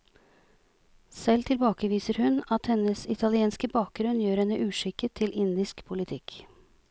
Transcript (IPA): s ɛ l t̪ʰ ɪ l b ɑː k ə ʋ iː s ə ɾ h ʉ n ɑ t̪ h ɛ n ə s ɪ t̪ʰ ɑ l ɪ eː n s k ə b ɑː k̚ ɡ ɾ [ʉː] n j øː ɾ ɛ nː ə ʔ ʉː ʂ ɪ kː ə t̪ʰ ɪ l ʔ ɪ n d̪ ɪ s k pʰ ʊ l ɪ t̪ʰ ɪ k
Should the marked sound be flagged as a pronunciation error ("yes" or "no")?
yes